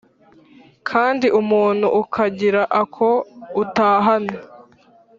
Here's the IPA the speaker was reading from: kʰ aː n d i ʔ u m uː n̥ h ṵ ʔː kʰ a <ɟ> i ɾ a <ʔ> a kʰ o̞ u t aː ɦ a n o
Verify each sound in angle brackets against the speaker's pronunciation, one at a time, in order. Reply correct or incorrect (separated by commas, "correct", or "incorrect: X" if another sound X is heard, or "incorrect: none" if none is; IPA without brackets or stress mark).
correct, correct